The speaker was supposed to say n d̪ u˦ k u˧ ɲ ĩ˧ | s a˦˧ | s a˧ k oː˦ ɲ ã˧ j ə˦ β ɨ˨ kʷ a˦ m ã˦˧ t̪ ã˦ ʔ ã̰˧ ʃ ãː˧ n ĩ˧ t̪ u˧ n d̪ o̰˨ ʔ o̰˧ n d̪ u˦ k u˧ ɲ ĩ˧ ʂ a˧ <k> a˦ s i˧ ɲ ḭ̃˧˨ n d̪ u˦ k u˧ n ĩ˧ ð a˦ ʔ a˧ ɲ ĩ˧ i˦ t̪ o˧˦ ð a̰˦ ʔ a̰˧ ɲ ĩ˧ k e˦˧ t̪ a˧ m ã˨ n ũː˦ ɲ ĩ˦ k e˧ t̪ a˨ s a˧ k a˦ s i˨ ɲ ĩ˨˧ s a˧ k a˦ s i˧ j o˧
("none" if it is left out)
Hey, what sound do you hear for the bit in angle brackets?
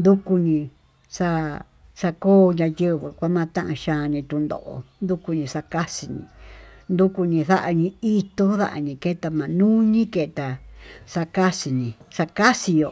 k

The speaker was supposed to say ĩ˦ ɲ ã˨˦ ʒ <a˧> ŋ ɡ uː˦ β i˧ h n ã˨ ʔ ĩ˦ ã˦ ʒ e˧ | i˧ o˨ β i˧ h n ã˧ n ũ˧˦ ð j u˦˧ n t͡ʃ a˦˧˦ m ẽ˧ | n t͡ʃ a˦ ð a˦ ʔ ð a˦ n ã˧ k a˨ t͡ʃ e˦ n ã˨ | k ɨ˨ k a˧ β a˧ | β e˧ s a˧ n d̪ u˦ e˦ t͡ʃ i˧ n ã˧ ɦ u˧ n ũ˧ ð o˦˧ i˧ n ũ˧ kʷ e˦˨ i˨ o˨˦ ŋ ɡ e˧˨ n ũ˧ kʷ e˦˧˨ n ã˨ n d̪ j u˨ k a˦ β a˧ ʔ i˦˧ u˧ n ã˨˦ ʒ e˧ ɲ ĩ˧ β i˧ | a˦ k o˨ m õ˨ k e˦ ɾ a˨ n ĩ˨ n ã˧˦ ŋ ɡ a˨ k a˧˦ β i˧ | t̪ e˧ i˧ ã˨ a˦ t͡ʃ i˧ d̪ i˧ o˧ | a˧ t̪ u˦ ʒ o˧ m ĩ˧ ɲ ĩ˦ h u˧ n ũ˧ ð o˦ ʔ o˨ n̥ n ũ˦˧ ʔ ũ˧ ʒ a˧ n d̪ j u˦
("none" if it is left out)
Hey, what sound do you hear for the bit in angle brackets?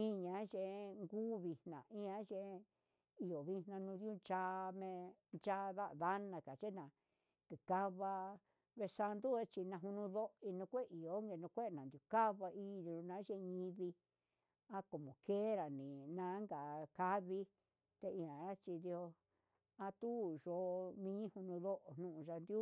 e˧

